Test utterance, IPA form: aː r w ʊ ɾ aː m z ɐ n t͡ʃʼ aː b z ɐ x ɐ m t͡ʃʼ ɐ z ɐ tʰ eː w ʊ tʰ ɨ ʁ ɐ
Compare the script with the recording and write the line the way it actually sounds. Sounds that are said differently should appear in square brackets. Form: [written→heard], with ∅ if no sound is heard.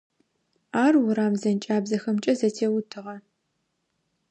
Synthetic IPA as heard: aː r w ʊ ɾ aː m z ɐ n t͡ʃʼ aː b z ɐ x ɐ m t͡ʃʼ ɐ z ɐ tʰ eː w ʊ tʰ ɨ ʁ ɐ